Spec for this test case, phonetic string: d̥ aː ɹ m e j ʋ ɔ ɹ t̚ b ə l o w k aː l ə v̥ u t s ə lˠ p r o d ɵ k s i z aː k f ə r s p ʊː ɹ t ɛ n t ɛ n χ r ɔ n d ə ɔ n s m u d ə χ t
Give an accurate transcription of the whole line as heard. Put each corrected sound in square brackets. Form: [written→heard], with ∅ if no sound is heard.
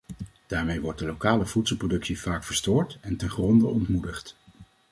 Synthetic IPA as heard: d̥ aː ɹ m e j ʋ ɔ ɹ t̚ [b→d] ə l o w k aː l ə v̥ u t s ə lˠ p r o d ɵ k s i [z→v] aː k f ə [r→ɹ] s [p→t] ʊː ɹ t ɛ n t ɛ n χ r ɔ n d ə ɔ n [s→t] m u d ə χ t